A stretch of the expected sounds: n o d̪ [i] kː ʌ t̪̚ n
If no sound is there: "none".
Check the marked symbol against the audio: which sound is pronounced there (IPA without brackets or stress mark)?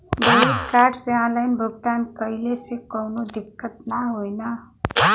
i